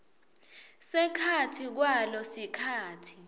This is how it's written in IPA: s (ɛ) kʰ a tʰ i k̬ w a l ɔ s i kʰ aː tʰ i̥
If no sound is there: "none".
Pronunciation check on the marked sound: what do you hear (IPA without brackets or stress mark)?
ɛ